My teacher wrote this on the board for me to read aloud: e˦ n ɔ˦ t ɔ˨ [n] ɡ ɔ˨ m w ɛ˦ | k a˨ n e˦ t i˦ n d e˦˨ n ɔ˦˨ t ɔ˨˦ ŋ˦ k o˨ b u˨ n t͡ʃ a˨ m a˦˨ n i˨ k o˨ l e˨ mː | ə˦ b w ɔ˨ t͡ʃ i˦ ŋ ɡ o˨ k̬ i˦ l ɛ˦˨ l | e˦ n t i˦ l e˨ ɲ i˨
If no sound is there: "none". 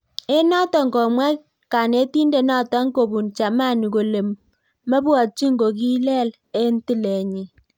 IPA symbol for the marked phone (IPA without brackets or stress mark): ŋ